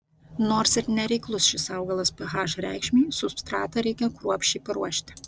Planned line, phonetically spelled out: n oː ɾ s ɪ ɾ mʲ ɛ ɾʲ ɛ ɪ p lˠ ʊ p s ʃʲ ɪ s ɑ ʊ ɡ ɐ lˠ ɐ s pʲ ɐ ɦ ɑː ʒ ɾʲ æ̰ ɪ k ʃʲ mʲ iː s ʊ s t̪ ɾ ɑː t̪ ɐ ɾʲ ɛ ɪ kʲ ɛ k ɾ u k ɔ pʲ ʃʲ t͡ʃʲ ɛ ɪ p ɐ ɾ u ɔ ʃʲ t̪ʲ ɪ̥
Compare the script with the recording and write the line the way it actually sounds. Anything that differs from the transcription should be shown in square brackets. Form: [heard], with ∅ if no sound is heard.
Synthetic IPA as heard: n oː ɾ s ɪ ɾ [nʲ] ɛ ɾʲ ɛ ɪ [k] lˠ ʊ [∅] s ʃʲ ɪ s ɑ ʊ ɡ ɐ lˠ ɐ s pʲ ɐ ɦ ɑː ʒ ɾʲ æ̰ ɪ k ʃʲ mʲ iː s ʊ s t̪ ɾ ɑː t̪ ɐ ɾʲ ɛ ɪ kʲ ɛ k ɾ u [∅] ɔ pʲ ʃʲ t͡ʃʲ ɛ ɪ p ɐ ɾ u ɔ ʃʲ t̪ʲ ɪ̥